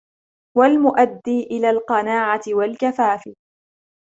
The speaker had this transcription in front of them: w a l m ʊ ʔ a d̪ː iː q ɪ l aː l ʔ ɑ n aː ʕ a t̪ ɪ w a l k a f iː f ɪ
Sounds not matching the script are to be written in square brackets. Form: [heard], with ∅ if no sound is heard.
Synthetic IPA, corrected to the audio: w a l m ʊ ʔ a d̪ː iː [ʔ] ɪ l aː l [q] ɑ n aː ʕ a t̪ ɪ w a l k a f [aː] f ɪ